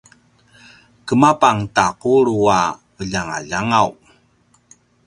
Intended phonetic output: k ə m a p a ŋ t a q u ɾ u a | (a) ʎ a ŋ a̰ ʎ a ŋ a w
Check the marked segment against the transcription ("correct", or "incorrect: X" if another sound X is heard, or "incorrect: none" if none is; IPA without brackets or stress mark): incorrect: ə